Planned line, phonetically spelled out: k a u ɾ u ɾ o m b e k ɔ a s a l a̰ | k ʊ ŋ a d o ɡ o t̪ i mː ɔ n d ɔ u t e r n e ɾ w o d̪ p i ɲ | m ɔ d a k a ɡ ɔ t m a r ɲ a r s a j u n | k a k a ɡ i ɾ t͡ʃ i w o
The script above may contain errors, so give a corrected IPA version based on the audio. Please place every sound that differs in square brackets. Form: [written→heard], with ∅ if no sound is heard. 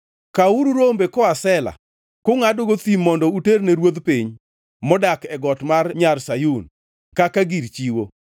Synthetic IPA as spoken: k a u ɾ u ɾ o m b e k ɔ a s [a→ɛ] l a̰ | k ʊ ŋ a d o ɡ o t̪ i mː ɔ n d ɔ u t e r n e ɾ w o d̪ p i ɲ | m ɔ d a k [a→ɛ] ɡ ɔ t m a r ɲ a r s a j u n | k a k a ɡ i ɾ t͡ʃ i w o